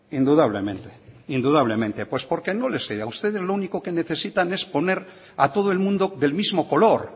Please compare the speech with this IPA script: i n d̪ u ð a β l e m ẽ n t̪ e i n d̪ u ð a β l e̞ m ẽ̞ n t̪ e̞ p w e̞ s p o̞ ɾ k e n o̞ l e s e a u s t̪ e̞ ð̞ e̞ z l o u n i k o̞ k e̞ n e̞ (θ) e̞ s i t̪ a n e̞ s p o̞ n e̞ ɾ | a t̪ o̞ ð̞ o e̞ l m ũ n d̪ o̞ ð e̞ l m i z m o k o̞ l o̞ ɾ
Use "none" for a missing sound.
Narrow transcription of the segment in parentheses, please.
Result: θ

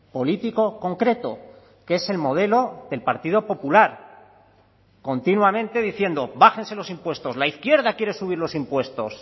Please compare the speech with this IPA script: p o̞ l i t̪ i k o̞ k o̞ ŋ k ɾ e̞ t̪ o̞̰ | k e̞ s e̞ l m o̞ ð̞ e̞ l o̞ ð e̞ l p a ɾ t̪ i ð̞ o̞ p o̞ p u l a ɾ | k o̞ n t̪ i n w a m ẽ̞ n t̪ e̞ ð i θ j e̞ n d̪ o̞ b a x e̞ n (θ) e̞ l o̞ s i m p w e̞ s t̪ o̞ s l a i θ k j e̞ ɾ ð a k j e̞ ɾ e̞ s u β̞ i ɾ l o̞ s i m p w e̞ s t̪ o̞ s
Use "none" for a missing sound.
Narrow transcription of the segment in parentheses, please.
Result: s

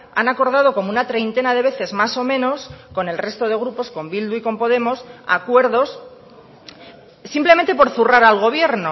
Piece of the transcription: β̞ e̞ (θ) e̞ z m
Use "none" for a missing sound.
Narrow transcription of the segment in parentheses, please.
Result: θ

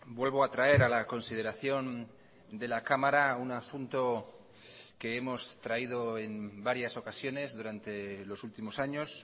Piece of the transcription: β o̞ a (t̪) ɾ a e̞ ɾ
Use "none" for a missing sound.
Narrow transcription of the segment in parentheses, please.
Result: t̪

